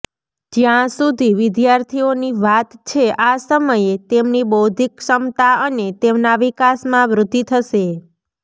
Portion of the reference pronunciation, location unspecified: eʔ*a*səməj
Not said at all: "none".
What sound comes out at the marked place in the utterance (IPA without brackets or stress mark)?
a